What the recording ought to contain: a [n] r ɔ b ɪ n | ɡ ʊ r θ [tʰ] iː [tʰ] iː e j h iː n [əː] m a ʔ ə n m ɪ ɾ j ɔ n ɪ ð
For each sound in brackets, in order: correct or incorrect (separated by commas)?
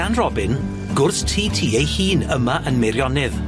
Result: correct, correct, correct, incorrect